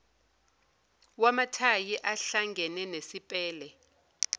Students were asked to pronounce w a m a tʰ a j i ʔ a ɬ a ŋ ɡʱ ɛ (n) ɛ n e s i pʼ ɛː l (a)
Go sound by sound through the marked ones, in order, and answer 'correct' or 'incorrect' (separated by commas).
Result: correct, incorrect